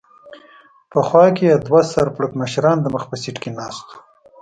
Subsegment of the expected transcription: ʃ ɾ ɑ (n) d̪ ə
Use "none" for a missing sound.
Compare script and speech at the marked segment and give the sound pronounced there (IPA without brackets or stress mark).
n